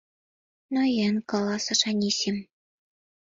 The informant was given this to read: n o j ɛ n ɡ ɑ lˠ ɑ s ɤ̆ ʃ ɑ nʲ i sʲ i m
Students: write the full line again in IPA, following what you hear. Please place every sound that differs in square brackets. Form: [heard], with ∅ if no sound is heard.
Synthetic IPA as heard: n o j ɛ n [k] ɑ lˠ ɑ s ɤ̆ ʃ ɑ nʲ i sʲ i m